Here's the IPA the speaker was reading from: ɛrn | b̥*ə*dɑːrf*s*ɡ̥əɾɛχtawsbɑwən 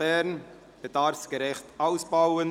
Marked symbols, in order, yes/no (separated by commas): yes, yes